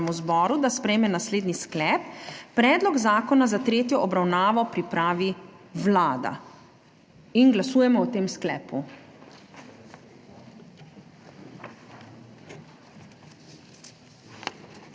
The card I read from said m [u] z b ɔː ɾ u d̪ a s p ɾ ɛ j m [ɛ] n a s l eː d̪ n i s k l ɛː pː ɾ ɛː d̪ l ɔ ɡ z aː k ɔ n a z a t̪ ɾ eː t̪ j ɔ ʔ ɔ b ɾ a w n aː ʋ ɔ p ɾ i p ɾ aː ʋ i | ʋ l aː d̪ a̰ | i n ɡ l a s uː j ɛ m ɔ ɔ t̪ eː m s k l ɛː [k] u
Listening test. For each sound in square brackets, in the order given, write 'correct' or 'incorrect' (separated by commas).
correct, correct, incorrect